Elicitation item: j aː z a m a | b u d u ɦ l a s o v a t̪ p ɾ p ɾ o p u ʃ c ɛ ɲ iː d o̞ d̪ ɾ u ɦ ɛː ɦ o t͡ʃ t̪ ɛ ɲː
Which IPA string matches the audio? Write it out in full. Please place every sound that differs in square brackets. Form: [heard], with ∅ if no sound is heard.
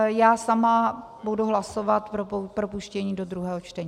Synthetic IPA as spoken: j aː [s] a m a | b u d u ɦ l a s o v a t̪ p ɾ p ɾ o p u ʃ c ɛ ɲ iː d o̞ d̪ ɾ u ɦ ɛː ɦ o t͡ʃ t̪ ɛ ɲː